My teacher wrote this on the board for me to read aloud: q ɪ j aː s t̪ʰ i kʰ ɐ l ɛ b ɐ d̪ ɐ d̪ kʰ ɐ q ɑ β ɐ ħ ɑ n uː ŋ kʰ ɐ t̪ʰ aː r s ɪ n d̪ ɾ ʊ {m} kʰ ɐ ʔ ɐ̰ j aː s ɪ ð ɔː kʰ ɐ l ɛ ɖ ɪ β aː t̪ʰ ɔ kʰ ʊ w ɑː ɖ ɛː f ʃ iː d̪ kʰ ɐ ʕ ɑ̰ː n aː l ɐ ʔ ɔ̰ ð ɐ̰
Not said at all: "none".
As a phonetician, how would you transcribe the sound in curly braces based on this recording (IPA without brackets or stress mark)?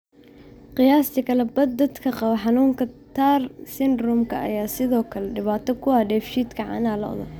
m